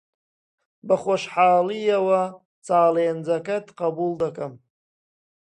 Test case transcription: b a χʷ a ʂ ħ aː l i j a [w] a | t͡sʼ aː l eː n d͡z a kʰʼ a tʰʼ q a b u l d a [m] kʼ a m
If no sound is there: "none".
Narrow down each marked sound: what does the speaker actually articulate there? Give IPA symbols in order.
w, none

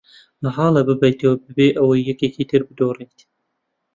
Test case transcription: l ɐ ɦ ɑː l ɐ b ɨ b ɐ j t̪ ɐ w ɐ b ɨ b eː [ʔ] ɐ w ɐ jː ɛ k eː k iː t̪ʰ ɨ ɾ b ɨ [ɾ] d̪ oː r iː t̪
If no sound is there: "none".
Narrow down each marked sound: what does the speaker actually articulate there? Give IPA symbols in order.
ʔ, none

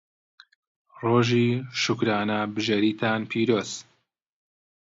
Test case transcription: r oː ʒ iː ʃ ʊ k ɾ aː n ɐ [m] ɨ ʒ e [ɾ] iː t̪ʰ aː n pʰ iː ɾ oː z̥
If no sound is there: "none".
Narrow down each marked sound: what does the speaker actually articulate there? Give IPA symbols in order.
b, ɾ

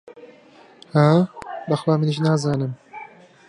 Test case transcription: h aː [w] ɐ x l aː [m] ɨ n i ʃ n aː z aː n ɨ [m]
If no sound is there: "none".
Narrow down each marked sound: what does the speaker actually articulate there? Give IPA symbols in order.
b, m, m

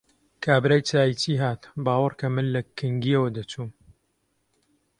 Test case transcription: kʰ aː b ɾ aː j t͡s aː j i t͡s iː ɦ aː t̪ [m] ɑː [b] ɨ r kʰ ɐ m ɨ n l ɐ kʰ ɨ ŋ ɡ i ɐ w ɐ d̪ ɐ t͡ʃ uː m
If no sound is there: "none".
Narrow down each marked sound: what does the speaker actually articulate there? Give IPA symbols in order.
b, w

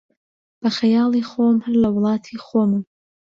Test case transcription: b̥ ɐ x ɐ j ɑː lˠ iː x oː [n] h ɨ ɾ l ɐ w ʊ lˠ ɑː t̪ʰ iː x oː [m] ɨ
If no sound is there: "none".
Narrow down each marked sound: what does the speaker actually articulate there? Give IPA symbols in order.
m, m

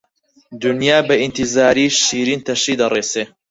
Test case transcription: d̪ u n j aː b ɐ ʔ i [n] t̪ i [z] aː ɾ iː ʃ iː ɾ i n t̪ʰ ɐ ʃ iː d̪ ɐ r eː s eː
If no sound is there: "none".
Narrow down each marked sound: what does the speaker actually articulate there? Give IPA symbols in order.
n, z

